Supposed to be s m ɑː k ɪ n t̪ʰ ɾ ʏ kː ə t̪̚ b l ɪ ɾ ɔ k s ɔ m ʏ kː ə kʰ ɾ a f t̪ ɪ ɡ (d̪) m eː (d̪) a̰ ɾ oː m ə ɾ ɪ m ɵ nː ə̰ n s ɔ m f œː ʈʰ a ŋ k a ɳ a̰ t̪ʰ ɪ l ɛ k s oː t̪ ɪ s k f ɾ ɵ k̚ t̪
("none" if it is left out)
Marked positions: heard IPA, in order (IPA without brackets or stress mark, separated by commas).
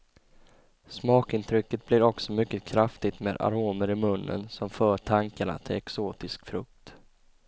t̪, d̪